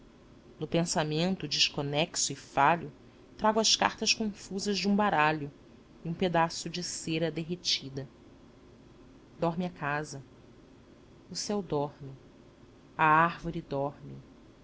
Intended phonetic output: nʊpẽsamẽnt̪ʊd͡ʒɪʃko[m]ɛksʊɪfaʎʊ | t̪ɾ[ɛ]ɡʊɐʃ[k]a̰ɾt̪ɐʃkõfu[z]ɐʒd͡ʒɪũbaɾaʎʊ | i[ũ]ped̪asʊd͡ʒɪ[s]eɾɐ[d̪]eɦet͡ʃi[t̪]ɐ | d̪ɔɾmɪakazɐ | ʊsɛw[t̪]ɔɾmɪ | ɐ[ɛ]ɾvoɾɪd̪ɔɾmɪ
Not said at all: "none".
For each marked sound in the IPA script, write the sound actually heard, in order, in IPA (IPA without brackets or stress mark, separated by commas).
n, a, k, z, ũ, s, d̪, d̪, d̪, a